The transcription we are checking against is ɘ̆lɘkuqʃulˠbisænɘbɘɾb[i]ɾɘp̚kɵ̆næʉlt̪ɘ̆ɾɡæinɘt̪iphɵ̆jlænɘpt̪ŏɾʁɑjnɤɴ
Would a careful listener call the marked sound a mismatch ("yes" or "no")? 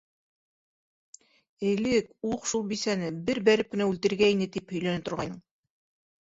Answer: yes